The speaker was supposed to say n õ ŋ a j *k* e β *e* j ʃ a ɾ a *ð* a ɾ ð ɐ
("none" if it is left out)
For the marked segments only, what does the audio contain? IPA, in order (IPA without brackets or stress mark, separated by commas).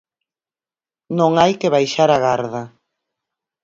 k, a, ɣ